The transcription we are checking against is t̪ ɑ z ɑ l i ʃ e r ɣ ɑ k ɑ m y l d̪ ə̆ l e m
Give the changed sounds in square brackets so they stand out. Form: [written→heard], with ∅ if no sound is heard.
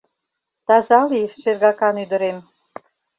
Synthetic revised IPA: t̪ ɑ z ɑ l i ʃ e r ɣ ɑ k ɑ [m→n] y [l→∅] d̪ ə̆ [l→ɾ] e m